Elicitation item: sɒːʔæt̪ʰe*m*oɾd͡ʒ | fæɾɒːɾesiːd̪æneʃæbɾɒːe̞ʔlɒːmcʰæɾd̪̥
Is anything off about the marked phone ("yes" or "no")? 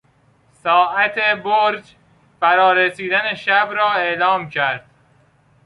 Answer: yes